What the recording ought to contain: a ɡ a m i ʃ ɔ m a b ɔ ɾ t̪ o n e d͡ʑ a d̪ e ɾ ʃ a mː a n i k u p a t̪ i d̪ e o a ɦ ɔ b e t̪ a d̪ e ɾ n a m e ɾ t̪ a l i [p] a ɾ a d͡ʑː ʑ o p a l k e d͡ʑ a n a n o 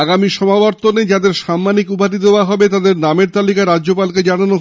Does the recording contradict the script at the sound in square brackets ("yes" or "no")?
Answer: yes